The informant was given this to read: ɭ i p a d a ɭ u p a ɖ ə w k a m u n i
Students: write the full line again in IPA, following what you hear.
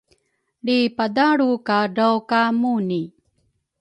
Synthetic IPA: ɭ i p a d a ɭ u k a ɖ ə w k a m u n i